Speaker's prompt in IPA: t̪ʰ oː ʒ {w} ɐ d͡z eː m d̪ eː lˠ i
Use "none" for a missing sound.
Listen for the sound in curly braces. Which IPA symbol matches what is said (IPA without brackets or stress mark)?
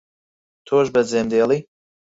b